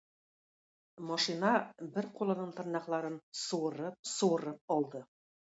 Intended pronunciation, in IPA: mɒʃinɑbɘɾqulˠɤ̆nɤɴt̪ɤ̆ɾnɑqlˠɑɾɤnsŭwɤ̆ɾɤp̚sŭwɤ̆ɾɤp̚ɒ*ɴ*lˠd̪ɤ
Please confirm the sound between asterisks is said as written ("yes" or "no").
no